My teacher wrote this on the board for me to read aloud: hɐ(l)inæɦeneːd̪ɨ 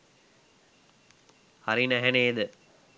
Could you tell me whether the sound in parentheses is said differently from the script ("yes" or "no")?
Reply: yes